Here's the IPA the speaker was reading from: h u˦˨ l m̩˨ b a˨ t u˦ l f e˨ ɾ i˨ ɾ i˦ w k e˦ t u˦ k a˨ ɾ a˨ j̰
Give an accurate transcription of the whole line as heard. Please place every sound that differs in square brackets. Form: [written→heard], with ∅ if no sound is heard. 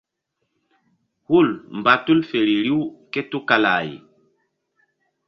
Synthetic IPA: h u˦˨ l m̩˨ b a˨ t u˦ l f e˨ ɾ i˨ ɾ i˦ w k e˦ t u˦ k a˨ [ɾ→l] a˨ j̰